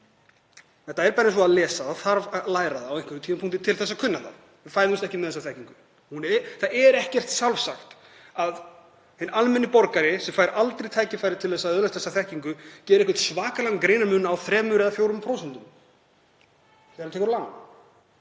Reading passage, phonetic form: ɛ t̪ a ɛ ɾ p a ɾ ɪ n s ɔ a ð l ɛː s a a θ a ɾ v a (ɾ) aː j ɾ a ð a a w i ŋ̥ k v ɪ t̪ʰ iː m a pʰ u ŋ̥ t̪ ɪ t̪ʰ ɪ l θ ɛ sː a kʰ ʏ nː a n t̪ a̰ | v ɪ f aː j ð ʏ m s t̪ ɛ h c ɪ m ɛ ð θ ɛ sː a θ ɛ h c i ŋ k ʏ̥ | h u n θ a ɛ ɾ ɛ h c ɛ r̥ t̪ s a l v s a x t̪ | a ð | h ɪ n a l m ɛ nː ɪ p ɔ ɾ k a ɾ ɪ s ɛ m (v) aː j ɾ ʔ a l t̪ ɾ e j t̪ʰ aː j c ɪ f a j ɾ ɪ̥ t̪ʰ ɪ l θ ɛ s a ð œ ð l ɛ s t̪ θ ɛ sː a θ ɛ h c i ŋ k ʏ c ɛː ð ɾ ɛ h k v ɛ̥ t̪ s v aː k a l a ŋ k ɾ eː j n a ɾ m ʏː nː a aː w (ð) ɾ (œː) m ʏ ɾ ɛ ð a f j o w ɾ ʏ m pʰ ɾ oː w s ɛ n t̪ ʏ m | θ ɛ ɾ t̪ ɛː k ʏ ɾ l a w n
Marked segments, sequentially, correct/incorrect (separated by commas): incorrect, incorrect, incorrect, incorrect